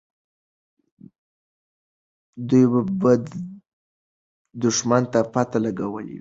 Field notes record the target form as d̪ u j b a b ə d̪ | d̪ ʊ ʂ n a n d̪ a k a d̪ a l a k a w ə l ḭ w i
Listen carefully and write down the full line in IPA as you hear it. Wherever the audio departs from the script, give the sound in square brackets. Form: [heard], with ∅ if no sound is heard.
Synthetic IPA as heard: d̪ u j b a b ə d̪ | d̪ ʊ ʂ [m] a n [t̪] a [p] a [t̪] a l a [ɡ] a w ə l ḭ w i